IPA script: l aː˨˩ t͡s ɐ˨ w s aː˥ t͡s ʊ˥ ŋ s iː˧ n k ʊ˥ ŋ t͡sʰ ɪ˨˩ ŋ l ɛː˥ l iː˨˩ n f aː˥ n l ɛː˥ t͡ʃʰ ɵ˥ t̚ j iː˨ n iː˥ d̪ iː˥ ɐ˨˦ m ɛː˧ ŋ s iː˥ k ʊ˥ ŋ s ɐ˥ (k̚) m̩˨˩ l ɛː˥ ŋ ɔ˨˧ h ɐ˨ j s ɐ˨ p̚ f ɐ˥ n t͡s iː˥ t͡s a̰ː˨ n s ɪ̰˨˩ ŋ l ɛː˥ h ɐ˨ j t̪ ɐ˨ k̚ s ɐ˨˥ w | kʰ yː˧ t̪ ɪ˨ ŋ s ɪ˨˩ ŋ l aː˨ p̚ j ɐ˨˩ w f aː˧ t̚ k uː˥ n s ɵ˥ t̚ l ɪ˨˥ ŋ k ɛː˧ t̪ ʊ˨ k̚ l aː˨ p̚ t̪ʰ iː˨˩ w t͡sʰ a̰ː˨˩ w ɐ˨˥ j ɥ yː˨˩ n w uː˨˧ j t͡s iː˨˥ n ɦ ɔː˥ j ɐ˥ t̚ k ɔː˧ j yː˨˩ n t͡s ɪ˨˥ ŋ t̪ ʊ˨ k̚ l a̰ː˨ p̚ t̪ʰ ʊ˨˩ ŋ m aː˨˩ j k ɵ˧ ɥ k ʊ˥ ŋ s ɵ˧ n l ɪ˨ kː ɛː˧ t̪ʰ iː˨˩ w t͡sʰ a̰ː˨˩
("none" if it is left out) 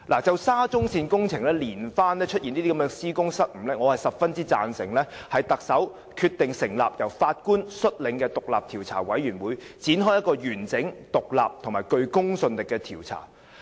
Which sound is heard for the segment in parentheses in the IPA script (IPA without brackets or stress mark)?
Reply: t̚